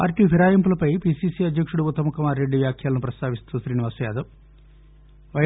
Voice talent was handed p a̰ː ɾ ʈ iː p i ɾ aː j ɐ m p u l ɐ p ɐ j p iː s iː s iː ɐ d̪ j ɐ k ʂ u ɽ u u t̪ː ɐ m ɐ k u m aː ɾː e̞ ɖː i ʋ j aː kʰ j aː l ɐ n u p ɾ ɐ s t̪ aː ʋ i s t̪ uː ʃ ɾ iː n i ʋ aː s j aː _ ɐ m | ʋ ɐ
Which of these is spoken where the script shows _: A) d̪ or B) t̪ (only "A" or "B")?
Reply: A